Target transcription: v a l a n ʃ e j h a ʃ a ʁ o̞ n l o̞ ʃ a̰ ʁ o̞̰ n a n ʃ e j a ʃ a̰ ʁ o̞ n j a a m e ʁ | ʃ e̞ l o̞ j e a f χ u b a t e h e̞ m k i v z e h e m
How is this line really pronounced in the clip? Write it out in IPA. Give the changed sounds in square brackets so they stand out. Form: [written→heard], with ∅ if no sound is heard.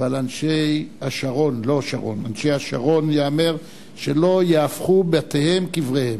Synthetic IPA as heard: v a l a n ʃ e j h a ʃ a ʁ o̞ n l o̞ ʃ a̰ ʁ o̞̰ n a n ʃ e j a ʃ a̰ ʁ o̞ n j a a m e ʁ | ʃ e̞ l o̞ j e a f χ u b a t e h e̞ m k i v [z→ʁ] e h e m